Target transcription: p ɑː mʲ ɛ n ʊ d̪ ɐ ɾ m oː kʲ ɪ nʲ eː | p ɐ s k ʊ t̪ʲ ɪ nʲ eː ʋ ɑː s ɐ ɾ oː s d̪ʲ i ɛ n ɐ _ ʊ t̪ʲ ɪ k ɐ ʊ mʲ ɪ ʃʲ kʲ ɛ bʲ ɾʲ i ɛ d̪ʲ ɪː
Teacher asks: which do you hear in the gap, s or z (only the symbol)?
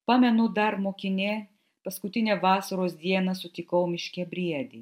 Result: s